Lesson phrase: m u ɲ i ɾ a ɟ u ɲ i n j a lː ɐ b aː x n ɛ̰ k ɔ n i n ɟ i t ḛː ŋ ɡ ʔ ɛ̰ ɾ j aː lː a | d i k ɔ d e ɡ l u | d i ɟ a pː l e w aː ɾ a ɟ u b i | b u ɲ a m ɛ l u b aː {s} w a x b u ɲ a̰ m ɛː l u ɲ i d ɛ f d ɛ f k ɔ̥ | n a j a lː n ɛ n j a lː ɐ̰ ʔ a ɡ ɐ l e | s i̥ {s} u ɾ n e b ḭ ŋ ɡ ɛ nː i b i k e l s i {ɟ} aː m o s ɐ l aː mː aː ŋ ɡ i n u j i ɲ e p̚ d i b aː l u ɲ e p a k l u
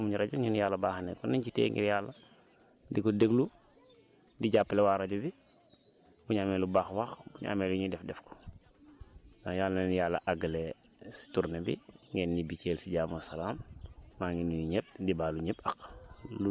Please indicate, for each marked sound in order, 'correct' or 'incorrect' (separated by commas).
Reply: incorrect, incorrect, correct